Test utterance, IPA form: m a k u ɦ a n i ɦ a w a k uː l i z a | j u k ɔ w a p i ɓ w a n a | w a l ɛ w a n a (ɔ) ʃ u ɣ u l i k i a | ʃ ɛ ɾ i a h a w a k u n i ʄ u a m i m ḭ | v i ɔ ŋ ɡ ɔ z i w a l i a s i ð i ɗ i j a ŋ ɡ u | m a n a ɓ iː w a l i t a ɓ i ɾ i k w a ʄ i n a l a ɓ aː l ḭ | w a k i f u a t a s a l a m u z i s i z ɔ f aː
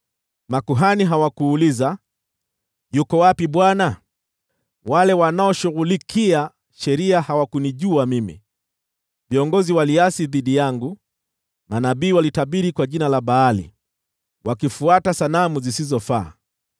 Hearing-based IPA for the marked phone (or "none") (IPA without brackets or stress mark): ɔ